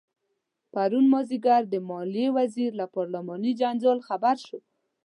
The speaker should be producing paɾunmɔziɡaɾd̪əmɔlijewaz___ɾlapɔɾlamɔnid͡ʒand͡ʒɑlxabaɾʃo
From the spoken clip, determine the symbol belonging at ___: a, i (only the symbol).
i